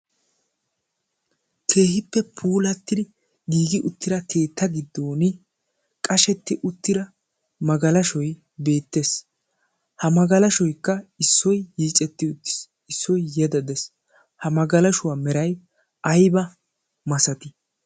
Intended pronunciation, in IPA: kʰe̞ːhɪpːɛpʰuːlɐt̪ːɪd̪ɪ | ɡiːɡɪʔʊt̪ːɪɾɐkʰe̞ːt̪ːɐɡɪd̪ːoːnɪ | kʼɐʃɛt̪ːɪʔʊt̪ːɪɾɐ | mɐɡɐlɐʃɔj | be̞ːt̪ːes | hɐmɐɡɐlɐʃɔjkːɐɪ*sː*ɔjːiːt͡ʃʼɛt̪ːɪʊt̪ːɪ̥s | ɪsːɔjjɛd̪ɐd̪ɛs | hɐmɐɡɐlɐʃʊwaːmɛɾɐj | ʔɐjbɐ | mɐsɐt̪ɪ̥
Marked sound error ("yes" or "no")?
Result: no